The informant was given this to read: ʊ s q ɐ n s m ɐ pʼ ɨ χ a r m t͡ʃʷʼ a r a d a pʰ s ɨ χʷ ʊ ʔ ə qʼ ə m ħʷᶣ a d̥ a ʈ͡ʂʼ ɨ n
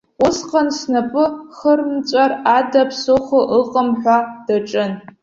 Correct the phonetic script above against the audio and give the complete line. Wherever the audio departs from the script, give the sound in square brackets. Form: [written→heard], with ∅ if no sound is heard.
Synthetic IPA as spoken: ʊ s q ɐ n s [m→n] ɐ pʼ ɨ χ [a→ə] r m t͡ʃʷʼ a r a d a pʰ s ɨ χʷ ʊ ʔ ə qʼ ə m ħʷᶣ a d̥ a ʈ͡ʂʼ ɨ n